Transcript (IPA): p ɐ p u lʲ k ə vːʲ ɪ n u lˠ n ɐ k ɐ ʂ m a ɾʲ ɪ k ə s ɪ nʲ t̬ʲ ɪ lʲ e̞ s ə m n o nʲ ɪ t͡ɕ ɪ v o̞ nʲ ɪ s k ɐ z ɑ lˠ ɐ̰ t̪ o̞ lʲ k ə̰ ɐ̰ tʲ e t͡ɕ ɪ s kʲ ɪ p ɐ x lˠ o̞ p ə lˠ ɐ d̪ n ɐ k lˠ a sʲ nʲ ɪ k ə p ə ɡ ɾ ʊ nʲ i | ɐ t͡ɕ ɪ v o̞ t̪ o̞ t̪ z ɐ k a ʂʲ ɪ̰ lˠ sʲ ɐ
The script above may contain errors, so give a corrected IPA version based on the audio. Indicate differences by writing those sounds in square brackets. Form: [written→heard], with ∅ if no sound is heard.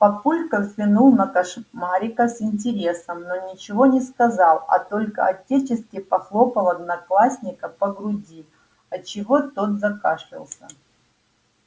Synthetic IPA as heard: p ɐ p u lʲ k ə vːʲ ɪ n u lˠ n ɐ k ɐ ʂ m a ɾʲ ɪ k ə s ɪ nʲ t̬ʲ ɪ [lʲ→ɾʲ] e̞ s ə m n o nʲ ɪ t͡ɕ ɪ v o̞ nʲ ɪ s k ɐ z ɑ lˠ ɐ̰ t̪ o̞ lʲ k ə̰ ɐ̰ tʲ e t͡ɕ ɪ s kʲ ɪ p ɐ x lˠ o̞ p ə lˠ ɐ d̪ n ɐ k lˠ a sʲ nʲ ɪ k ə p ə ɡ ɾ ʊ [nʲ→dʲ] i | ɐ t͡ɕ ɪ v o̞ t̪ o̞ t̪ z ɐ k a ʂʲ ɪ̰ lˠ sʲ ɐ